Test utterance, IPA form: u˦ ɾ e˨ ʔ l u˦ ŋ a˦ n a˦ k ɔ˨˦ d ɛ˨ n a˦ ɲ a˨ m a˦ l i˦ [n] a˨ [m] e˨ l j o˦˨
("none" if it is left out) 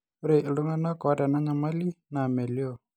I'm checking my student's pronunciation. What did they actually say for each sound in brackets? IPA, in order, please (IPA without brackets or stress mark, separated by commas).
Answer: n, m